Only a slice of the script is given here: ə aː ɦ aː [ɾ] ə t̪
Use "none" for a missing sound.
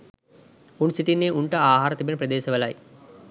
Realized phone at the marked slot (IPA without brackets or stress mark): ɾ